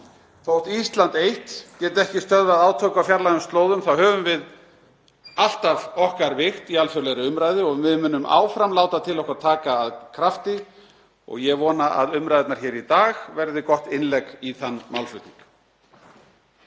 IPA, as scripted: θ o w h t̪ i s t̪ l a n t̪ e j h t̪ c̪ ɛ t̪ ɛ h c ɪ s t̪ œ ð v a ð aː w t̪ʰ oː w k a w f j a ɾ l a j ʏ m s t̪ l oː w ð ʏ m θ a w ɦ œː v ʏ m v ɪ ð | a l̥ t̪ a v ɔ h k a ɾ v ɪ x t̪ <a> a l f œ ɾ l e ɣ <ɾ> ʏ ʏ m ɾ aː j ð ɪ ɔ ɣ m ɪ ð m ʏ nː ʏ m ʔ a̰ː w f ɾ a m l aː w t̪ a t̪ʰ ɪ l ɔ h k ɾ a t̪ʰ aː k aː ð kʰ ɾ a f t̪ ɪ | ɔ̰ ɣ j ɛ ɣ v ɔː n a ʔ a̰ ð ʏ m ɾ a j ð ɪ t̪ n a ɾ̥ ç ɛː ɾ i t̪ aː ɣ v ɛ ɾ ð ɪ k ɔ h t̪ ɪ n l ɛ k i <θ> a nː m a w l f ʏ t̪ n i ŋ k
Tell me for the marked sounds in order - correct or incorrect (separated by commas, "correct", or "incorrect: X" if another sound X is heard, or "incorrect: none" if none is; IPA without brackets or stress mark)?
incorrect: i, correct, correct